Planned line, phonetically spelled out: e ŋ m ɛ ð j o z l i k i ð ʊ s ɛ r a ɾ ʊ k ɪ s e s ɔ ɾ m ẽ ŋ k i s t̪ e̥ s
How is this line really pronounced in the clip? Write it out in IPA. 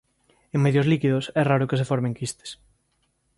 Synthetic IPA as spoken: e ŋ m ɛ ð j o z l i k i ð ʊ s ɛ r a ɾ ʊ k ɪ s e f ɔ ɾ m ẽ ŋ k i s t̪ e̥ s

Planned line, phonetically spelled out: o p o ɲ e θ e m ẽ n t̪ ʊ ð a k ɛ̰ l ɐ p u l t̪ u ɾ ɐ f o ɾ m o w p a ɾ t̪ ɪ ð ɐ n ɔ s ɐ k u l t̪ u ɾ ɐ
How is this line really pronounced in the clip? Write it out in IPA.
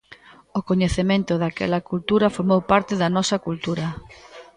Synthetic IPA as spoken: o k o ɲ e θ e m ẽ n t̪ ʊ ð a k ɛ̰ l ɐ k u l t̪ u ɾ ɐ f o ɾ m o w p a ɾ t̪ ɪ ð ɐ n ɔ s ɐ k u l t̪ u ɾ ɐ

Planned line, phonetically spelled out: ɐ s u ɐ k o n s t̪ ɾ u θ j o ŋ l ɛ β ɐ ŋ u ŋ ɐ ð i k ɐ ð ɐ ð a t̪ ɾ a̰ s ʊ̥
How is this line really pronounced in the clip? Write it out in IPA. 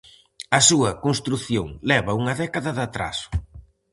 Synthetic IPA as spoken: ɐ s u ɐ k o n s t̪ ɾ u θ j o ŋ l ɛ β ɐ u ŋ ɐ ð ɛ k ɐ ð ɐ ð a t̪ ɾ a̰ s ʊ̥

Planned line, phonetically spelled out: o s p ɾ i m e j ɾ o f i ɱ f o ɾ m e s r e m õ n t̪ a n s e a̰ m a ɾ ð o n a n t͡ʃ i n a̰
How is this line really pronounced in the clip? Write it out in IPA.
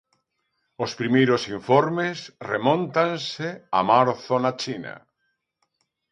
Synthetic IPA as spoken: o s p ɾ i m e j ɾ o s i ɱ f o ɾ m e s r e m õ n t̪ a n s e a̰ m a ɾ θ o n a t͡ʃ i n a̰

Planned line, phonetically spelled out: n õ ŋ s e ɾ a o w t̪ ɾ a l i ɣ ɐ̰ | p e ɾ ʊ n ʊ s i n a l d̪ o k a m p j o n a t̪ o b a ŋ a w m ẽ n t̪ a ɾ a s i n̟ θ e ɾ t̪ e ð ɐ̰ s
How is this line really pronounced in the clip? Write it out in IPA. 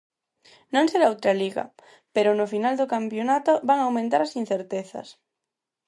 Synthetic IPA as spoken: n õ ŋ s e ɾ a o w t̪ ɾ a l i ɣ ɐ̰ | p e ɾ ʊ n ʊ f i n a l d̪ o k a m p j o n a t̪ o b a ŋ a w m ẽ n t̪ a ɾ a s i n̟ θ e ɾ t̪ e θ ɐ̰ s

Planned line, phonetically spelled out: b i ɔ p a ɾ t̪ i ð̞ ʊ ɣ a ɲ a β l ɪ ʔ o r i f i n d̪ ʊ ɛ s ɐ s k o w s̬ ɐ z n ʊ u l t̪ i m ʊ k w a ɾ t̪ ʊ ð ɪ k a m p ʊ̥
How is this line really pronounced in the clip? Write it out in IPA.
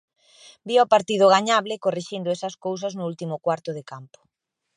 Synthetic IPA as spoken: b i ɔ p a ɾ t̪ i ð̞ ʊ ɣ a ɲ a β l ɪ k o r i ʃ i n d̪ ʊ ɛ s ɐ s k o w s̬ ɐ z n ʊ u l t̪ i m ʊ k w a ɾ t̪ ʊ ð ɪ k a m p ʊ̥

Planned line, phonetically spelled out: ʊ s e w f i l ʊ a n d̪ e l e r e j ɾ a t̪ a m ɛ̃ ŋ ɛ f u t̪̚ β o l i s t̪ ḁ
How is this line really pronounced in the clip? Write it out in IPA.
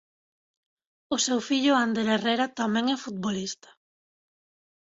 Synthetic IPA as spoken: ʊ s e w f i ʎ ʊ a n d̪ e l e r e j ɾ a t̪ a m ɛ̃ ŋ ɛ f u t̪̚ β o l i s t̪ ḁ

